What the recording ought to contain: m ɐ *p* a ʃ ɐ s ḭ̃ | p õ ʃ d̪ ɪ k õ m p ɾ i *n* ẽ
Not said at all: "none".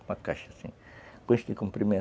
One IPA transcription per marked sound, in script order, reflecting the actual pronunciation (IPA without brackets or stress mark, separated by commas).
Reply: k, m